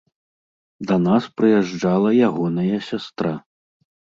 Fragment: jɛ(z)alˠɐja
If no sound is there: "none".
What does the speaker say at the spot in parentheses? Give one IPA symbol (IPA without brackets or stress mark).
ʐ